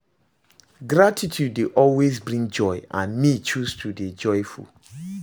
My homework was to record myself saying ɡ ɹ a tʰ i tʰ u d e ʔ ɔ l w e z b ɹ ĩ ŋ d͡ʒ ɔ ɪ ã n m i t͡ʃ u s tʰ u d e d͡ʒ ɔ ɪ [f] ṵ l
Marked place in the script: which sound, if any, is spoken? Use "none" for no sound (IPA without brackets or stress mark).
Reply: f